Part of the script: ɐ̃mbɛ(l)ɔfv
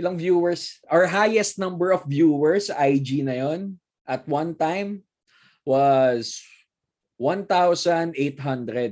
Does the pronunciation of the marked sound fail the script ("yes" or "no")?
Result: yes